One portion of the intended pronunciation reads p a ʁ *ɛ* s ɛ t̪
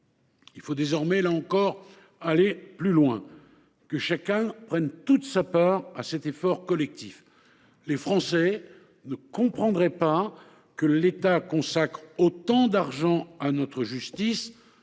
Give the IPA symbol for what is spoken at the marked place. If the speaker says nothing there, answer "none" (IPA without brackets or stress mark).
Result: a